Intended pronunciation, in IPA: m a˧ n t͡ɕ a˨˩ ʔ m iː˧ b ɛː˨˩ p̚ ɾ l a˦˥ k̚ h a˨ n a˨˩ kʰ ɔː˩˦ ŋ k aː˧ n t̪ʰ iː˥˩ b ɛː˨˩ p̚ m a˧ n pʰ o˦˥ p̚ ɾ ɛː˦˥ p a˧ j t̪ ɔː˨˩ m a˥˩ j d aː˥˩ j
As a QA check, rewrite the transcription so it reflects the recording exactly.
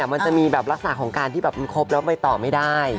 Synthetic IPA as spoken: m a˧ n t͡ɕ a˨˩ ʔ m iː˧ b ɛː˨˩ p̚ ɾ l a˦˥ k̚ s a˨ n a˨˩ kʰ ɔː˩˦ ŋ k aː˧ n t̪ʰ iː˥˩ b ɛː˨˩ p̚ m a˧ n kʰ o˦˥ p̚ l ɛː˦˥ p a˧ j t̪ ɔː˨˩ m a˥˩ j d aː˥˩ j

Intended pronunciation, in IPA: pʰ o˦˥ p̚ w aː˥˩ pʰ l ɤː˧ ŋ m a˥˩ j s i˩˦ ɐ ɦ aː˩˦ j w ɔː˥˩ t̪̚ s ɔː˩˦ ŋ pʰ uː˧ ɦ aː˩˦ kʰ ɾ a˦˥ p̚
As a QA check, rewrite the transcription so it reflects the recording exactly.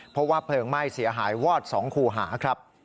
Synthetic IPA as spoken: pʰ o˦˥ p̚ w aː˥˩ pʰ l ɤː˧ ŋ m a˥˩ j s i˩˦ ɐ ɦ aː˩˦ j w ɔː˥˩ t̪̚ s ɔː˩˦ ŋ kʰ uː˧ ɦ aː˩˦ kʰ ɾ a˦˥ p̚

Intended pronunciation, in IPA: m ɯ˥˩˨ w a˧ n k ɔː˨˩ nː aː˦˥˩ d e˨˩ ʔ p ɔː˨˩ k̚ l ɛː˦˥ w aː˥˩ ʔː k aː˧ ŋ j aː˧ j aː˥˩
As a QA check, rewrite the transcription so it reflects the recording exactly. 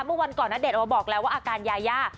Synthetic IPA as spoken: m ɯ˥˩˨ w a˧ n k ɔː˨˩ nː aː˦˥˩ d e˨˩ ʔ b ɔː˨˩ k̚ l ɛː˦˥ w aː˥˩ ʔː k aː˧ n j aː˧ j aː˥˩

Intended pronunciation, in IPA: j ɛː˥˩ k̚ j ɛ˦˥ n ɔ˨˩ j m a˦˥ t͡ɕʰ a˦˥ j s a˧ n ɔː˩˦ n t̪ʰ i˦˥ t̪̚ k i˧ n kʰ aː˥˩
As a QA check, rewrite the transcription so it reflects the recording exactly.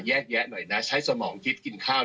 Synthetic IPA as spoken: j ɛː˥˩ k̚ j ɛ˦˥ n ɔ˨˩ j n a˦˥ t͡ɕʰ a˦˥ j s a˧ m ɔː˩˦ ŋ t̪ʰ i˦˥ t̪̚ k i˧ n kʰ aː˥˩

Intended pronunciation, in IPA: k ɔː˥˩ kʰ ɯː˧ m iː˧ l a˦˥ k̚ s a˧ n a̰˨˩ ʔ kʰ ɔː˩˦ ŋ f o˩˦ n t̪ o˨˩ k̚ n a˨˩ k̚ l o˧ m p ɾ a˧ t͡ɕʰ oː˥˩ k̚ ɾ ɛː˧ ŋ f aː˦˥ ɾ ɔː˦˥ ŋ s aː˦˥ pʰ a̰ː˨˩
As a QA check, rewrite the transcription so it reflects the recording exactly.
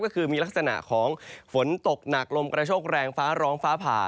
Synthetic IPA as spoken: k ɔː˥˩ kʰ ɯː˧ m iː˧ l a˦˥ k̚ s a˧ n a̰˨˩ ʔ kʰ ɔː˩˦ ŋ f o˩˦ n t̪ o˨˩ k̚ n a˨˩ k̚ l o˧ m k ɾ a˧ t͡ɕʰ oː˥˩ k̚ ɾ ɛː˧ ŋ f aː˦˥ ɾ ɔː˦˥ ŋ f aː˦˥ pʰ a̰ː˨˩

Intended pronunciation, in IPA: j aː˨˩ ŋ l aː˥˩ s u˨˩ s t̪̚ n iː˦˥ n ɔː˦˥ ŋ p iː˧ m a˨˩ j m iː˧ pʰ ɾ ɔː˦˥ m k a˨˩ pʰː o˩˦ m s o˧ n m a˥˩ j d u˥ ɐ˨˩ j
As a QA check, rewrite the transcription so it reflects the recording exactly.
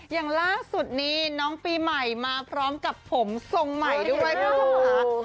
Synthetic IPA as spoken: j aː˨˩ ŋ l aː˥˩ s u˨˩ t̪̚ n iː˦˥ n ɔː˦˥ ŋ p iː˧ m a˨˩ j m aː˧ pʰ ɾ ɔː˦˥ m k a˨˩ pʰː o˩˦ m s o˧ ŋ m a˨˩ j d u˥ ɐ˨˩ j

